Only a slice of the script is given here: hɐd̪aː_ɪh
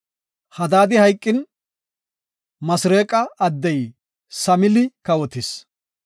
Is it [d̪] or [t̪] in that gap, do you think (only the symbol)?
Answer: d̪